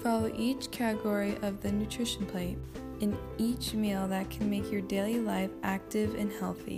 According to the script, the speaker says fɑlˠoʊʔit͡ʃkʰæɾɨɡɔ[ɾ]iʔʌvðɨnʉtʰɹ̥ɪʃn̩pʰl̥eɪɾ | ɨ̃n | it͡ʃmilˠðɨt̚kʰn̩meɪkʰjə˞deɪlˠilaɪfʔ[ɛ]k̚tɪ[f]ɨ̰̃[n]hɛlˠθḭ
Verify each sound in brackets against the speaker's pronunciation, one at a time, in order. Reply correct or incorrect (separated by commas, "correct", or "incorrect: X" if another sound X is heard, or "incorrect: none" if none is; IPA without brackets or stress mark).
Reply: incorrect: ɹ, incorrect: æ, incorrect: v, correct